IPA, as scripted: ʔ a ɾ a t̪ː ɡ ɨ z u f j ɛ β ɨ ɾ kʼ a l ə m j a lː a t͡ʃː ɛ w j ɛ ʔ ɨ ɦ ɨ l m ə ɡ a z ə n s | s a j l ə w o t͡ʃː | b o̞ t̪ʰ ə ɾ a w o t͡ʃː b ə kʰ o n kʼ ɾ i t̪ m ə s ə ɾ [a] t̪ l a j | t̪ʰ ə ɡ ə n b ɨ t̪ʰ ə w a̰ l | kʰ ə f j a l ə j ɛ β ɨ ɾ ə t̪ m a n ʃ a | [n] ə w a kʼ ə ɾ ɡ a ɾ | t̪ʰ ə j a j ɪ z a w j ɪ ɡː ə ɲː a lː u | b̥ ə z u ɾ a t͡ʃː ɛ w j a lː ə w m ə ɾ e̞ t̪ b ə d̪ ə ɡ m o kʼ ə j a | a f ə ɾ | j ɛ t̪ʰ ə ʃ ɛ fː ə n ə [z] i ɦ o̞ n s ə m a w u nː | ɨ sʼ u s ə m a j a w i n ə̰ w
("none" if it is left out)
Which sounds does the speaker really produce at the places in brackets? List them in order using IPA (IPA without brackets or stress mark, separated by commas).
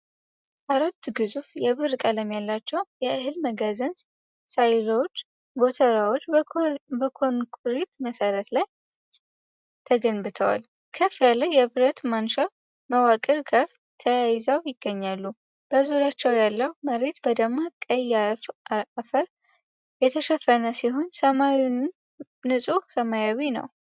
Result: ə, m, s